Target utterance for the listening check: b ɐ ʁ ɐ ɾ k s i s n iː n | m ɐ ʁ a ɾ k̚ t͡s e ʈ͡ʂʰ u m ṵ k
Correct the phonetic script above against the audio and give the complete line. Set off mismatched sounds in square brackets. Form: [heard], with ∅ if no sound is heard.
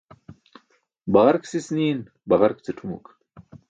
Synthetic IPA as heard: b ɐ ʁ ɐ ɾ k s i s n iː n | [b] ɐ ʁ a ɾ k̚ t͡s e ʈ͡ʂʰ u m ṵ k

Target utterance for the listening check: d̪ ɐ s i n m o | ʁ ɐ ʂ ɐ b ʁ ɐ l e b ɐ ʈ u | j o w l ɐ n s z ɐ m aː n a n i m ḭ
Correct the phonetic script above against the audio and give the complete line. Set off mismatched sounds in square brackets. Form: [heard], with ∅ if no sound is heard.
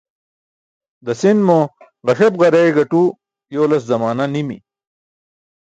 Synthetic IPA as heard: d̪ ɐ s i n m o | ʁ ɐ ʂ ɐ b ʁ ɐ [ɾ] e [ɡ] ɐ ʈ u | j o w l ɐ [∅] s z ɐ m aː n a n i m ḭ

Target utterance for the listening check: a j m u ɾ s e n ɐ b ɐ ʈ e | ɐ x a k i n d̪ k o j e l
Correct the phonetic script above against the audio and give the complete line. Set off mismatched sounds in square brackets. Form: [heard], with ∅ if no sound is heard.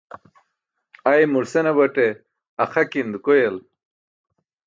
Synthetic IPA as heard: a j m u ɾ s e n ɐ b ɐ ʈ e | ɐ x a k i n d̪ k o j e l

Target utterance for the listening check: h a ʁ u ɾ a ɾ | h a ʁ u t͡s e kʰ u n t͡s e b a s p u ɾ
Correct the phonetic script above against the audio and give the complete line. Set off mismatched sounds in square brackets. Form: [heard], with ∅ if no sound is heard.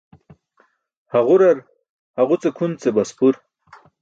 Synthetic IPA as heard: h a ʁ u ɾ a ɾ | h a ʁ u t͡s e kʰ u n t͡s e b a s p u ɾ

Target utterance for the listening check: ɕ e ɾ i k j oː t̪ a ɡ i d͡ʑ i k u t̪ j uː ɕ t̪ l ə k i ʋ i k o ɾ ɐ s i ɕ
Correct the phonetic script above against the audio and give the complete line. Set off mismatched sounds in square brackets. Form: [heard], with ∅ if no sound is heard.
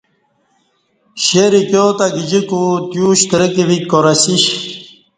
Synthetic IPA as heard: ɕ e ɾ i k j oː t̪ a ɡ i d͡ʑ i k u t̪ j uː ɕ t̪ [ɾ] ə k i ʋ i k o ɾ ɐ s i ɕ

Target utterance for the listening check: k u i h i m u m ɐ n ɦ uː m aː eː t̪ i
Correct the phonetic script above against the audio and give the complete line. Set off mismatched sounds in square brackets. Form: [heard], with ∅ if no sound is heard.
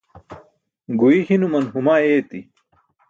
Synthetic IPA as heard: [ɡ] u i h i [n] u m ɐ n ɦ [u] m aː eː t̪ i

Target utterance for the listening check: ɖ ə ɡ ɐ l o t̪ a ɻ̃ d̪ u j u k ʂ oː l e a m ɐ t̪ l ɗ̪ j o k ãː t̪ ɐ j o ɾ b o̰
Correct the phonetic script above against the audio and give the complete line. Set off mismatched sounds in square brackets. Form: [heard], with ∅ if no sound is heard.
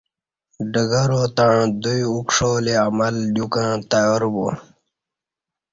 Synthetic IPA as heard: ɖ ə ɡ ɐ [ɾ] o t̪ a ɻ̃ d̪ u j u k ʂ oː l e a m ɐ [∅] l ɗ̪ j [u] k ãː t̪ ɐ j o ɾ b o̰

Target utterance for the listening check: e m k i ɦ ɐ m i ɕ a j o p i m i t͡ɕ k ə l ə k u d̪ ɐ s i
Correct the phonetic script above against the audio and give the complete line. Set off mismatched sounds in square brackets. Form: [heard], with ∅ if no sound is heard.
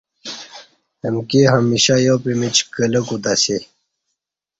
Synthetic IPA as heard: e m k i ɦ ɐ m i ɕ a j o p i m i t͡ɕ k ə l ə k u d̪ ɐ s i

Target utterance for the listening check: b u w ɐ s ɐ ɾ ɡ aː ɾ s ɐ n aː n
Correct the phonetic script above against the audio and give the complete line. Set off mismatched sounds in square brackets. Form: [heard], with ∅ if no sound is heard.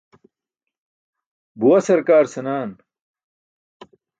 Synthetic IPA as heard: b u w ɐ s ɐ ɾ [k] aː ɾ s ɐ n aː n

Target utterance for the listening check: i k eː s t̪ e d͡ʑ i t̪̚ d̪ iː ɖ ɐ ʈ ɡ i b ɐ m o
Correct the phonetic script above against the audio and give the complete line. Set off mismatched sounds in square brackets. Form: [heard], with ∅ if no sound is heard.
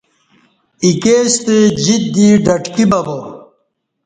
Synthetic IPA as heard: i k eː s t̪ e d͡ʑ i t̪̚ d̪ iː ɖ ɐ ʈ [k] i b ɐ [b] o

